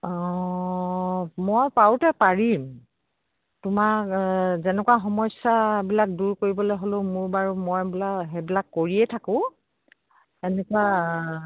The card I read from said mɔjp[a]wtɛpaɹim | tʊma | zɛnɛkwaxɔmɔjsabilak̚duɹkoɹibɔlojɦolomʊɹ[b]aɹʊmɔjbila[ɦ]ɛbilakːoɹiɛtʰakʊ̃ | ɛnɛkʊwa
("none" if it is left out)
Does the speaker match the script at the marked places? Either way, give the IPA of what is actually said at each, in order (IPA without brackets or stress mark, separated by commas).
a, b, ɦ